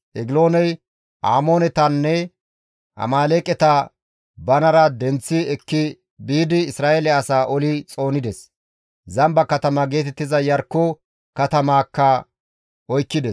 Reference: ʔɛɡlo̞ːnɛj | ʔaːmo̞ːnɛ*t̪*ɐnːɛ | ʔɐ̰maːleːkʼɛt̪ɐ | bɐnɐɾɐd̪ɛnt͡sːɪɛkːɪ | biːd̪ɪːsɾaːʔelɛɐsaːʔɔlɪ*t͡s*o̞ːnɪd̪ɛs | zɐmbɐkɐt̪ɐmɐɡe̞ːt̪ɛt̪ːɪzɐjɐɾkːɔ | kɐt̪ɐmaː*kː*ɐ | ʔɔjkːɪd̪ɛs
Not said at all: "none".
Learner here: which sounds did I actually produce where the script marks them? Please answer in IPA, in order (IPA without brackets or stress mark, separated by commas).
t̪, t͡sʼ, kː